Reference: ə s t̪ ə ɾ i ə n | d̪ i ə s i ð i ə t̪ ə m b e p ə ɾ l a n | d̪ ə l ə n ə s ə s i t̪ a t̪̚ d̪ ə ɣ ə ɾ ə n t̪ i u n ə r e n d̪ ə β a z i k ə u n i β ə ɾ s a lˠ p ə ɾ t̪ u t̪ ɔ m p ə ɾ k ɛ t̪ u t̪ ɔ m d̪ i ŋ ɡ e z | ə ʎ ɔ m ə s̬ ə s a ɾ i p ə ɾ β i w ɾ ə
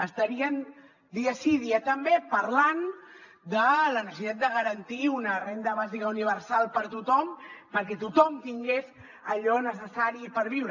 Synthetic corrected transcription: ə s t̪ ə ɾ i ə n | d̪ i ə s i ð i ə t̪ ə m b e p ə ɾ l a n | d̪ ə l ə n ə s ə s i t̪ a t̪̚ d̪ ə ɣ ə ɾ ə n t̪ i u n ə r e n d̪ ə β a z i k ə u n i β ə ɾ s a lˠ p ə ɾ t̪ u t̪ ɔ m p ə ɾ k ɛ t̪ u t̪ ɔ m t̪ i ŋ ɡ e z | ə ʎ ɔ n ə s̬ ə s a ɾ i p ə ɾ β i w ɾ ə